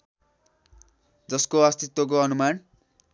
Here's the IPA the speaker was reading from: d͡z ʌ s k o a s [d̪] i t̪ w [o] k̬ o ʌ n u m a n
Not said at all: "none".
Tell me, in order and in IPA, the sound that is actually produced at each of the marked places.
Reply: t̪, o

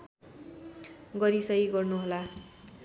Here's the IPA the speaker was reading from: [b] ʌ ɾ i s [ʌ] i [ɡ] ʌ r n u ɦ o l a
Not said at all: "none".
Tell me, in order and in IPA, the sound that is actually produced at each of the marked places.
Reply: ɡ, ʌ, ɡ

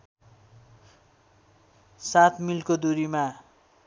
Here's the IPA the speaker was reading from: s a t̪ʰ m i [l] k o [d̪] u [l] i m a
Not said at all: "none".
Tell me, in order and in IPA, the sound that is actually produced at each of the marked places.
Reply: l, d̪, ɾ

